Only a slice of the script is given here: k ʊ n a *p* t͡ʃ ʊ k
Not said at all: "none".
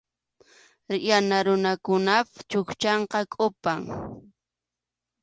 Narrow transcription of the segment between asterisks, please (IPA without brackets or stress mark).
p